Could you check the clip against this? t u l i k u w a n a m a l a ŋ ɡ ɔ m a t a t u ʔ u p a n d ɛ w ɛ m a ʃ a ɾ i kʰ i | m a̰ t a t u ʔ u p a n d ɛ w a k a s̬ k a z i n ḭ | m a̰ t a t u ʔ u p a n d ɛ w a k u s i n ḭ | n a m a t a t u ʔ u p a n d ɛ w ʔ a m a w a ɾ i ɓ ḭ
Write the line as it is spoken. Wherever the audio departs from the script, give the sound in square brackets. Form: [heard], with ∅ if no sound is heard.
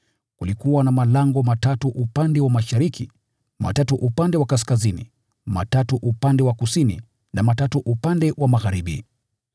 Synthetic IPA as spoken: [k] u l i k u w a n a m a l a ŋ ɡ ɔ m a t a t u ʔ u p a n d ɛ w [a] m a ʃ a ɾ i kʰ i | m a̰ t a t u ʔ u p a n d ɛ w a k a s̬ k a z i n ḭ | m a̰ t a t u ʔ u p a n d ɛ w a k u s i n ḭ | n a m a t a t u ʔ u p a n d ɛ w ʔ a m a [ɣ] a ɾ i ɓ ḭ

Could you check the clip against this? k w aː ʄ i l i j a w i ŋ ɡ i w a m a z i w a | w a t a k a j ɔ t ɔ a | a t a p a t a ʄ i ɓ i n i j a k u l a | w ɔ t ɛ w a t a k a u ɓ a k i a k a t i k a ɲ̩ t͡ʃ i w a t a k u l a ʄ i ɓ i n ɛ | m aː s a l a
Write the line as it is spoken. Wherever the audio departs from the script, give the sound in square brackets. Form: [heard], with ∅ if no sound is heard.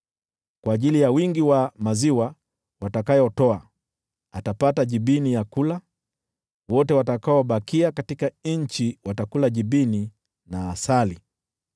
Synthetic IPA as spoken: k w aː ʄ i l i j a w i ŋ ɡ i w a m a z i w a | w a t a k a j ɔ t ɔ a | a t a p a t a ʄ i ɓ i n i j a k u l a | w ɔ t ɛ w a t a k a [ɔ] ɓ a k i a k a t i k a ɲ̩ t͡ʃ i w a t a k u l a ʄ i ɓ i n [i] | [n] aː s a l [i]

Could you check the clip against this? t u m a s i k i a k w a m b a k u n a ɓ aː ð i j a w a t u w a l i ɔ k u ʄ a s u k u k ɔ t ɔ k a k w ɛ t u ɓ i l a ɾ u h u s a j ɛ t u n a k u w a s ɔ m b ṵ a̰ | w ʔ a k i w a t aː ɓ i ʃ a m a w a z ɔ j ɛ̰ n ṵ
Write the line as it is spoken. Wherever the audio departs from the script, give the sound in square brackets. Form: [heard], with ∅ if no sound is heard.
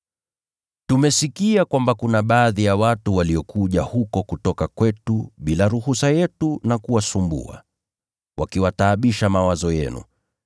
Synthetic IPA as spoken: t u m [ɛ] s i k i a k w a m b a k u n a ɓ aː ð i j a w a t u w a l i ɔ k u ʄ a [h] u k [ɔ] k [u] t ɔ k a k w ɛ t u ɓ i l a ɾ u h u s a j ɛ t u n a k u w a s [u] m b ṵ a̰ | w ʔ a k i w a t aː ɓ i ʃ a m a w a z ɔ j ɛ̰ n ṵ

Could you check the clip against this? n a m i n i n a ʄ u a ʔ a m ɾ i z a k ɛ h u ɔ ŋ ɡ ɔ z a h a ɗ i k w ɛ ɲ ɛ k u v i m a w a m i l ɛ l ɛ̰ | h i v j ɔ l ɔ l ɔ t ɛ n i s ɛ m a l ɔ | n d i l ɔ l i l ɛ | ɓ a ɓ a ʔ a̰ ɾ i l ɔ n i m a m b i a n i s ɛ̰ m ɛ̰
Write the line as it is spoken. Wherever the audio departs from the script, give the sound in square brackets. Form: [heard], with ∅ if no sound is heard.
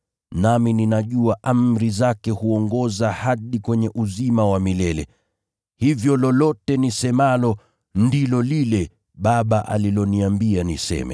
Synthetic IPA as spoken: n a m i n i n a ʄ u a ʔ a m ɾ i z a k ɛ h u ɔ ŋ ɡ ɔ z a h a ɗ i k w ɛ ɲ ɛ [ʔ] u [z] i m a w a m i l ɛ l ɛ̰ | h i v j ɔ l ɔ l ɔ t ɛ n i s ɛ m a l ɔ | n d i l ɔ l i l ɛ | ɓ a ɓ a ʔ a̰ [l] i l ɔ n i [∅] a m b i a n i s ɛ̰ m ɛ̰

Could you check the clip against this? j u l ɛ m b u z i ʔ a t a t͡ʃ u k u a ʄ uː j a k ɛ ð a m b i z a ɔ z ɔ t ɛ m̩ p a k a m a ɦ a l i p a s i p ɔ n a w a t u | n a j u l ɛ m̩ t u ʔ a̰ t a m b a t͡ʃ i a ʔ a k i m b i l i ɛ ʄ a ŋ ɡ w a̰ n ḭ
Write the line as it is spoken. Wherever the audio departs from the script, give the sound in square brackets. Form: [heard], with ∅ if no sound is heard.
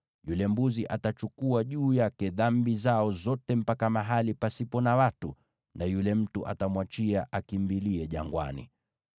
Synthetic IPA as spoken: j u l ɛ m b u z i ʔ a t a t͡ʃ u k u a ʄ uː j a k ɛ ð a m b i z a ɔ z ɔ t ɛ m̩ p a k a m a ɦ a l i p a s i p ɔ n a w a t u | n a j u l ɛ m̩ t u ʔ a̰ t a m [w] a t͡ʃ i a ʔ a k i m b i l i ɛ ʄ a ŋ ɡ w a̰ n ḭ

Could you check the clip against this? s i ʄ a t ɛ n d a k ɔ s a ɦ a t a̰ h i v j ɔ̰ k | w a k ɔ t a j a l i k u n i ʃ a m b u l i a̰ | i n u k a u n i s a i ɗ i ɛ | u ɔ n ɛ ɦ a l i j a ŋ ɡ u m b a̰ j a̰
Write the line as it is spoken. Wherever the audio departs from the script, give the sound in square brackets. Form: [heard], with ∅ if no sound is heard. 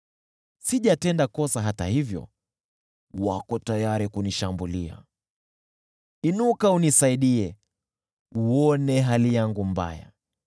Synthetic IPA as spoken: s i ʄ a t ɛ n d a k ɔ s a ɦ a t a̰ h i v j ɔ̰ [∅] | w a k ɔ t a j a [ɾ] i k u n i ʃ a m b u l i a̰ | i n u k a u n i s a i ɗ i ɛ | u ɔ n ɛ ɦ a l i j a ŋ ɡ u m b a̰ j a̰

